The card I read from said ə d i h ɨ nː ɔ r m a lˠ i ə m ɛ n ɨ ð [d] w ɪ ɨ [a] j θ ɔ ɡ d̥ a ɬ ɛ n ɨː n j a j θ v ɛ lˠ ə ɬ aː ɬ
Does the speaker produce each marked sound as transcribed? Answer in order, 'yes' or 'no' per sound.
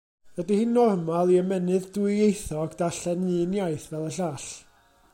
yes, no

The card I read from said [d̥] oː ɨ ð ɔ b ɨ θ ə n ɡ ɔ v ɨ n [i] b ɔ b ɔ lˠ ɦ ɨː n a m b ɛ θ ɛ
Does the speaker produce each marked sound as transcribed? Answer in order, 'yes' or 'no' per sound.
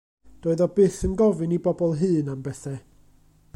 yes, yes

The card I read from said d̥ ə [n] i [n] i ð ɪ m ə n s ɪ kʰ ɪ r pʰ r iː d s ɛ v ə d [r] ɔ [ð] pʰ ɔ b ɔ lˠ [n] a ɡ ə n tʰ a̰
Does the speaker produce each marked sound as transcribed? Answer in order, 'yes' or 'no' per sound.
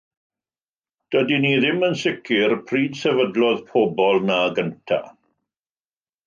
no, yes, no, yes, yes

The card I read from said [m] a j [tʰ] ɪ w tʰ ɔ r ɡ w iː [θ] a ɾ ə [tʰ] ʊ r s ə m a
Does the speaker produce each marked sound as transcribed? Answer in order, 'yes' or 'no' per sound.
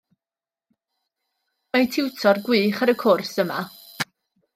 yes, yes, no, no

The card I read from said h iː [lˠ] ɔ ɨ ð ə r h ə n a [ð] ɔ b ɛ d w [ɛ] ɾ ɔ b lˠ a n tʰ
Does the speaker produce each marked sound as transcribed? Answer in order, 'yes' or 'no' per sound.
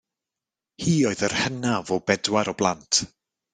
no, no, no

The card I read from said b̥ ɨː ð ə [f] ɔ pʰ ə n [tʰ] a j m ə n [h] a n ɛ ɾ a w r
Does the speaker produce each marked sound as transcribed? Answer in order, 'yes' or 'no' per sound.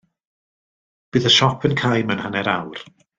no, no, yes

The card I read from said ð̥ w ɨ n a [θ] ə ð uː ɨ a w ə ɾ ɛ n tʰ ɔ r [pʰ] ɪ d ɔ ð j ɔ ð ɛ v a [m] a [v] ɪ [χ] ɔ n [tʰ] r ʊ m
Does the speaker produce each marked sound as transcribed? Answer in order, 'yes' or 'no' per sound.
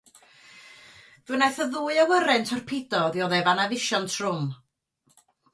yes, yes, no, yes, no, yes

